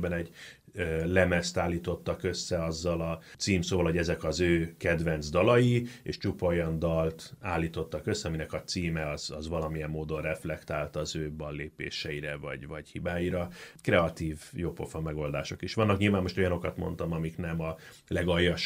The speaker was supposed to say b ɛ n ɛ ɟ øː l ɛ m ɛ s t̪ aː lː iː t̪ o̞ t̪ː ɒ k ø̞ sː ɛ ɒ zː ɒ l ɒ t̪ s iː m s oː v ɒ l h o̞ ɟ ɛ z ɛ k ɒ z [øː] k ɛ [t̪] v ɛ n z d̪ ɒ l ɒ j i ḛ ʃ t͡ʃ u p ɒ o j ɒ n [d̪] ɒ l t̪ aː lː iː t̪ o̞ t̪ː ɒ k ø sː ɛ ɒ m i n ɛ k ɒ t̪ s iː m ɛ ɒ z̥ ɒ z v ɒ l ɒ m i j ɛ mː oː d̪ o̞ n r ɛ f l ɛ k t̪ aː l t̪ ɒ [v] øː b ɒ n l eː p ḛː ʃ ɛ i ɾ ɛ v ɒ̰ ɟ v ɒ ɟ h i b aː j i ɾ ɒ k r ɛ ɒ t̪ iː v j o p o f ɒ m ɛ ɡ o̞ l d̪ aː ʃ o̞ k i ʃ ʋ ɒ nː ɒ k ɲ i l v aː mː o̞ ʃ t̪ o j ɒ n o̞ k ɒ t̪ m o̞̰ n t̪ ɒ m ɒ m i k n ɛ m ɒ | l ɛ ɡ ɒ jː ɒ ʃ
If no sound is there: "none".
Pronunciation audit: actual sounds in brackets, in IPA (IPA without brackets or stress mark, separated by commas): øː, d̪, d̪, z